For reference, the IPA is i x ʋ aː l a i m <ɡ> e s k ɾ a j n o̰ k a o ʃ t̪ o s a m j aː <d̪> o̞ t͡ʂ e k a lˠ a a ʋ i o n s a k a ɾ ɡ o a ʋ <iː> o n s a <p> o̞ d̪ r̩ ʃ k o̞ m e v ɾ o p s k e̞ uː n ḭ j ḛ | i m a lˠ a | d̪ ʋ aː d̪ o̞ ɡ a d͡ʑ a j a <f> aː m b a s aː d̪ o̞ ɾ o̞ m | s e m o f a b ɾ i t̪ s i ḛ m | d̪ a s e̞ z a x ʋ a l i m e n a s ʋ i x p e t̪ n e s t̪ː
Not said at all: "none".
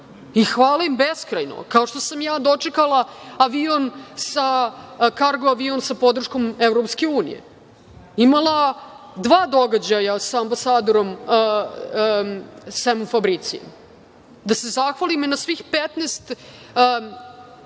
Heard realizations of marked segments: b, d̪, i, p, s

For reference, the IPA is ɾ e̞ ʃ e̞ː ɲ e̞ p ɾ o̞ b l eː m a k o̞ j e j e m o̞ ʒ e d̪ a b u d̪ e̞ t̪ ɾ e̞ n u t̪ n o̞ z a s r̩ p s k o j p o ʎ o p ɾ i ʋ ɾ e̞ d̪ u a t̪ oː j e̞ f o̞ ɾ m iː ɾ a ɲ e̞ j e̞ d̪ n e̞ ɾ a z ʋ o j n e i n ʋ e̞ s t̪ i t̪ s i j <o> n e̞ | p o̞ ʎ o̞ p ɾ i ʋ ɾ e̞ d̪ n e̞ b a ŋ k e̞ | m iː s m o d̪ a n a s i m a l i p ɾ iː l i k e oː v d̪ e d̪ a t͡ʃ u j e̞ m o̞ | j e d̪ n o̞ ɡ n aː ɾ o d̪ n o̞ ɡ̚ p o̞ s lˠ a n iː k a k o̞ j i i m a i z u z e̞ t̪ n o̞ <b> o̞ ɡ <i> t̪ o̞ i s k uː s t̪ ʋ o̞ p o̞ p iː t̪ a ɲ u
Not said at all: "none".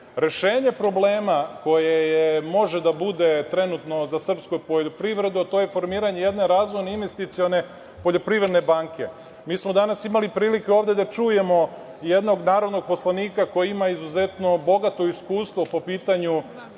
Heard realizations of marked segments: o, b, a

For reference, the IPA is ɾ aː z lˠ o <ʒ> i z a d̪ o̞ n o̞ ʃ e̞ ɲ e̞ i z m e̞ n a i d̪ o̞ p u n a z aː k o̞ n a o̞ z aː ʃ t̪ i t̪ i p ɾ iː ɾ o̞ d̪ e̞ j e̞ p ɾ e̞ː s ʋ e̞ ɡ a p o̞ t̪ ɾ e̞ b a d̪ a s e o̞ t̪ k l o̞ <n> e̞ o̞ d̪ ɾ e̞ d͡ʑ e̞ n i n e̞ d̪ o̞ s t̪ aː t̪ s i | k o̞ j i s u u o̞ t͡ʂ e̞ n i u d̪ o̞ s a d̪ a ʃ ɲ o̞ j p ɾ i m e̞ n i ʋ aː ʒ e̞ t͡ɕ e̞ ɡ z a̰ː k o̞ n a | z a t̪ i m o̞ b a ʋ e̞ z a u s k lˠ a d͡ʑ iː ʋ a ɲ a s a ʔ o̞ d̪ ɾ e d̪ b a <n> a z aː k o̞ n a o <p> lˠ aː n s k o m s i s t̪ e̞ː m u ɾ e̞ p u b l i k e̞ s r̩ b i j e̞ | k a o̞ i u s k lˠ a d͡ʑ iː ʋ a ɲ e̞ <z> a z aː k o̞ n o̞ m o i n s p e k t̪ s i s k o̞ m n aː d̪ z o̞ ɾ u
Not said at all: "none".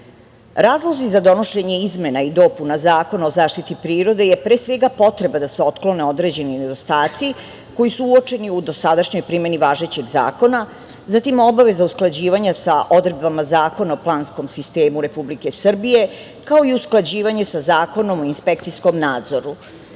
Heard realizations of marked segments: z, n, m, p, s

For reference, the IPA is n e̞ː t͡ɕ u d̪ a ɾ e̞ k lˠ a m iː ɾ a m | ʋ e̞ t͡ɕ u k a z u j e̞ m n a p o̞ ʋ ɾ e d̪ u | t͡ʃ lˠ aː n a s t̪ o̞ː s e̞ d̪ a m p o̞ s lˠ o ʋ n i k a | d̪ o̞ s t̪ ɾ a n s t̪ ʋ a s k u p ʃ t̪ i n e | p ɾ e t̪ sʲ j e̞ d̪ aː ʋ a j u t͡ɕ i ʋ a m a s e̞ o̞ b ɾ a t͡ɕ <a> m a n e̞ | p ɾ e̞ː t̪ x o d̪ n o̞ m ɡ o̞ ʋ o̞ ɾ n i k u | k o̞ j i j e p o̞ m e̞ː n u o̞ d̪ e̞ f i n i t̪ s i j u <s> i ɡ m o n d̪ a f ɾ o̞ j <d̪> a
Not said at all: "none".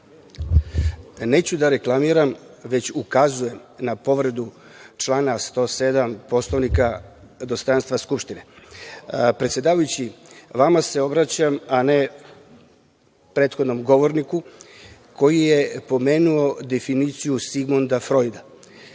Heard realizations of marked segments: a, s, d̪

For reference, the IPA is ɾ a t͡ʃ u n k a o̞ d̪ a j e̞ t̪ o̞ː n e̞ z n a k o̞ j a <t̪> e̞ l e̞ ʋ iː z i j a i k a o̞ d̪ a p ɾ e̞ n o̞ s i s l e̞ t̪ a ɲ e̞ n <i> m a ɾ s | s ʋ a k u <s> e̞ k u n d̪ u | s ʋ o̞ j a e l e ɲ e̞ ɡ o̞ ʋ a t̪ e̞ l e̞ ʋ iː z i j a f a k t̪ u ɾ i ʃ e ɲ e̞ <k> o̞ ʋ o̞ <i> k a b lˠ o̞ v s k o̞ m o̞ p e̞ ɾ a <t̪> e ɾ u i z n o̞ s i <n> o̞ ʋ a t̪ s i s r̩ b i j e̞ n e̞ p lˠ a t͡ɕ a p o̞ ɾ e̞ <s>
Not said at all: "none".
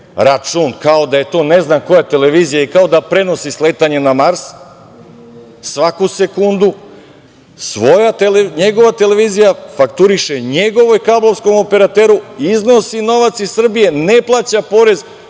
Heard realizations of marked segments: t̪, a, s, ɡ, j, t̪, n, z

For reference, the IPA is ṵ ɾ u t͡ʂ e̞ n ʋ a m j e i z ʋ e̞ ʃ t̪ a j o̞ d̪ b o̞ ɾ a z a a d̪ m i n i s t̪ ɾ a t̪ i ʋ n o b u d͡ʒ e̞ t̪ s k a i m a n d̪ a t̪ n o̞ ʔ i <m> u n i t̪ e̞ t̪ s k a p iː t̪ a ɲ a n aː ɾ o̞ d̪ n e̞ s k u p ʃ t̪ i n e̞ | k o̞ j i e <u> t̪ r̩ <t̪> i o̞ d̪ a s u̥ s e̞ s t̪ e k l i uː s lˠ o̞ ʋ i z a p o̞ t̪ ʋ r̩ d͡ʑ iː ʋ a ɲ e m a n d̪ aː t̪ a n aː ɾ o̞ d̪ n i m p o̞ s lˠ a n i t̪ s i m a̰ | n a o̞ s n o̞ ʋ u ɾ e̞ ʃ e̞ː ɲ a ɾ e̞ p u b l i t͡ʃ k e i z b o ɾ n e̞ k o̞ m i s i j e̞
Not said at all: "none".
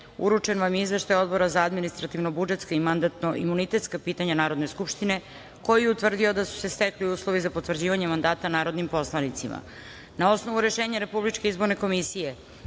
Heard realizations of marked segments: m, u, d̪

